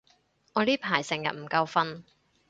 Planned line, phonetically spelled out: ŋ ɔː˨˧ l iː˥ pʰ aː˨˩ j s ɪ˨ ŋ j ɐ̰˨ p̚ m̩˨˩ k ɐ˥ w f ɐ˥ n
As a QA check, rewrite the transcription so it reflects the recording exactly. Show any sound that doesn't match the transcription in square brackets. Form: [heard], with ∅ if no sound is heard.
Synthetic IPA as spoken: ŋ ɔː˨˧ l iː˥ pʰ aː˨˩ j s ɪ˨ ŋ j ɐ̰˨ [t̚] m̩˨˩ k [ɐ˧] w f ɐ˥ n